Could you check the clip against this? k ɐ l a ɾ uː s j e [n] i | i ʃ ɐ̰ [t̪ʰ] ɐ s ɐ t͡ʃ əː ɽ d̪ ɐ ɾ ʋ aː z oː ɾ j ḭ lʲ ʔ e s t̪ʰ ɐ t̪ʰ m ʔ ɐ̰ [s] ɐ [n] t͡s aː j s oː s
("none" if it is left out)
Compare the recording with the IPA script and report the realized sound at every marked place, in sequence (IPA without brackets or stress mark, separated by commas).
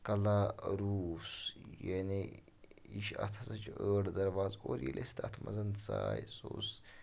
n, t̪ʰ, z, n